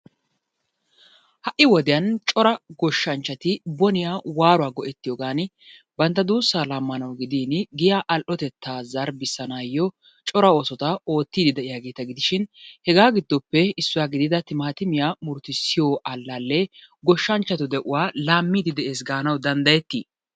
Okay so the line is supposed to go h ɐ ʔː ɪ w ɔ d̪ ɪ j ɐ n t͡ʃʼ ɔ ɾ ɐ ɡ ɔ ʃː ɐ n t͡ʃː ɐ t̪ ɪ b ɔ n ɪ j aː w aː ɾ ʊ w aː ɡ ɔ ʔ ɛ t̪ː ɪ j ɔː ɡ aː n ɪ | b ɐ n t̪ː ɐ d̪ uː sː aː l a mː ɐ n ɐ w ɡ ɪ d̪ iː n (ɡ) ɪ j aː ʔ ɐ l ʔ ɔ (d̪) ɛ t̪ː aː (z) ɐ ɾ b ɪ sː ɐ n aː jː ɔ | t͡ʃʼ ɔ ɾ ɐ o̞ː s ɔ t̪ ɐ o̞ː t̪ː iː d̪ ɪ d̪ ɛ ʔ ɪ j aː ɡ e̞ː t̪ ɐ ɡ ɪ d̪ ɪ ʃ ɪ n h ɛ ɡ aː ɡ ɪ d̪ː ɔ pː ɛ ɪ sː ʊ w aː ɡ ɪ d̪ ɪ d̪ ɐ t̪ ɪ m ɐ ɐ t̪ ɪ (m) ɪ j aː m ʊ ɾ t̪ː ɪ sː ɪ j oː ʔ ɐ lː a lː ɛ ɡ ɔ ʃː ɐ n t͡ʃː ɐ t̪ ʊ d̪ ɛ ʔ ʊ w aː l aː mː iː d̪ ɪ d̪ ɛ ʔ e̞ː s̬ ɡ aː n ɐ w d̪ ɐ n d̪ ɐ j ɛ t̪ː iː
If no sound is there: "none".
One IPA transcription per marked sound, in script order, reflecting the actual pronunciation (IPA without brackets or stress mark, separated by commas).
ɡ, t̪, z, m